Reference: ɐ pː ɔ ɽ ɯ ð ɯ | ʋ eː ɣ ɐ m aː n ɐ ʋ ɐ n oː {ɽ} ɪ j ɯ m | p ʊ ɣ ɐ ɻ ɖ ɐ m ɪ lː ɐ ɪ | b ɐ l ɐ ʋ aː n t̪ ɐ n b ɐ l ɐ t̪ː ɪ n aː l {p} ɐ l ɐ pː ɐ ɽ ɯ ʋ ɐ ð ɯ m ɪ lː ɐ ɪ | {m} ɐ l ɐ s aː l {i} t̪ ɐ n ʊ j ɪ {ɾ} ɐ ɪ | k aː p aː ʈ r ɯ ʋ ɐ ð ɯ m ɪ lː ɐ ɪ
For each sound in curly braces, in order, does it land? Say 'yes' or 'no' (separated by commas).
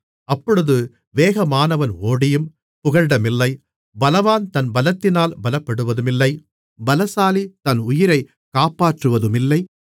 yes, no, no, yes, yes